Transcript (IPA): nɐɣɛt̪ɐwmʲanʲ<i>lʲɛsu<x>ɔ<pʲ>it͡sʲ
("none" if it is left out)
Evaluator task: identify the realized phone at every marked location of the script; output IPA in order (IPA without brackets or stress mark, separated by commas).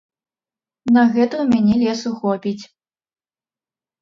ɛ, x, pʲ